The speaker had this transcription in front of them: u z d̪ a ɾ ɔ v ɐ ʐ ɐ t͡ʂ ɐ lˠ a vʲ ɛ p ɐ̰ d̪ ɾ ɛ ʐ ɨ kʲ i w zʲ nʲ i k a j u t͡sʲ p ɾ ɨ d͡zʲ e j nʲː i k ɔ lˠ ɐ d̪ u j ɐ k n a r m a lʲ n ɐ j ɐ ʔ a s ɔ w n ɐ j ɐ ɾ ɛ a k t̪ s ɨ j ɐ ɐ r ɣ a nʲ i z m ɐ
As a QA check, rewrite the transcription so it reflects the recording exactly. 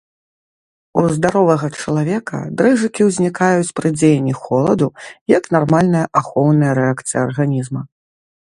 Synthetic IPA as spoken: u z d̪ a ɾ ɔ v ɐ ɣ ɐ t͡ʂ ɐ lˠ a vʲ ɛ k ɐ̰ d̪ ɾ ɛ ʐ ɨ kʲ i w zʲ nʲ i k a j u t͡sʲ p ɾ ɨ d͡zʲ e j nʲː i x ɔ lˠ ɐ d̪ u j ɐ k n a r m a lʲ n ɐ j ɐ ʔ a x ɔ w n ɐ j ɐ ɾ ɛ a k t̪ s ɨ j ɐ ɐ r ɣ a nʲ i z m ɐ